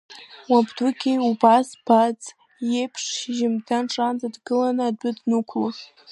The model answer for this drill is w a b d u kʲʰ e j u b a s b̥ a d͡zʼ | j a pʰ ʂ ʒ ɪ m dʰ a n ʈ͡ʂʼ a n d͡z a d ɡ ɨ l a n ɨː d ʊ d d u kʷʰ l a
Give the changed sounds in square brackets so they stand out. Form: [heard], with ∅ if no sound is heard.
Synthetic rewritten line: w a b d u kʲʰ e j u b a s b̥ a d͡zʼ | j [e] pʰ ʂ ʒ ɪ m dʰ a n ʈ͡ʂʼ a n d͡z a d ɡ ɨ l a n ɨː d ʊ d [n] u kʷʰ l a